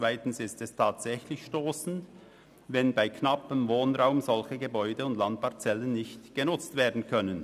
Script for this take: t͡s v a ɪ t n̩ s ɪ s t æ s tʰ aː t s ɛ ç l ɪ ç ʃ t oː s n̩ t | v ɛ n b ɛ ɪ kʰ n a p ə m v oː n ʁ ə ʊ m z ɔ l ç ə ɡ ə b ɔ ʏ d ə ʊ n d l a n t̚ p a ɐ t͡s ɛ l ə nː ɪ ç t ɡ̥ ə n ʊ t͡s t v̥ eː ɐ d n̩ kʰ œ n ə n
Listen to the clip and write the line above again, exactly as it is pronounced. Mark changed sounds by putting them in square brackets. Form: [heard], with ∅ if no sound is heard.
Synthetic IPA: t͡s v a ɪ t n̩ s ɪ s t [ɛ] s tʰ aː t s ɛ ç l ɪ ç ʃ t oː s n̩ t | v ɛ n b [a] ɪ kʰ n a p ə m v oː n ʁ [a] ʊ m z ɔ l ç ə ɡ ə b ɔ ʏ d ə ʊ n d l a n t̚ p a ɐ t͡s ɛ l ə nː ɪ ç t ɡ̥ ə n ʊ t͡s t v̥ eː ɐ d n̩ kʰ œ n ə n